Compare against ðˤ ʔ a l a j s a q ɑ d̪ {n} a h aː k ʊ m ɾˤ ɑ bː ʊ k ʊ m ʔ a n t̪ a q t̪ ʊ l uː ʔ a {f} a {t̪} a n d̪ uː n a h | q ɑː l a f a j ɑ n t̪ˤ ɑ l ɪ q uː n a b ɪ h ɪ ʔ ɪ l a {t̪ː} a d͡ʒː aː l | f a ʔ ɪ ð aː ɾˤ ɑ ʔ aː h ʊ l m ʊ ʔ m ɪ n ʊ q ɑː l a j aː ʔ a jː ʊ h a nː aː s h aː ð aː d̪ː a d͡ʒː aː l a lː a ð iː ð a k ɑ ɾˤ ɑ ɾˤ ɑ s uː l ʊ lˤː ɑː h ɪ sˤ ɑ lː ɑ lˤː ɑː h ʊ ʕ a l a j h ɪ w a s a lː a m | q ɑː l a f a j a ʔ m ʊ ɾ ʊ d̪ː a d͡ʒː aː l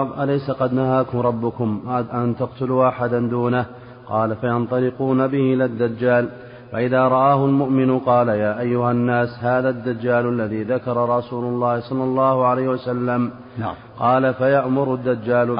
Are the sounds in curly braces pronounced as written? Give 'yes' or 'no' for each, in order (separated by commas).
yes, no, no, no